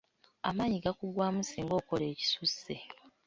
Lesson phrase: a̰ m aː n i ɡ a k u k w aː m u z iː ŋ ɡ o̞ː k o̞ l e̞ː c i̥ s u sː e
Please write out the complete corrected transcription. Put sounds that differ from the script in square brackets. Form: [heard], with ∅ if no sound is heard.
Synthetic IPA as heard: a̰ m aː [ɲ] i ɡ a k u [ɡ] w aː m u [s] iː ŋ ɡ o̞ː k o̞ l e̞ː c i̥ s u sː e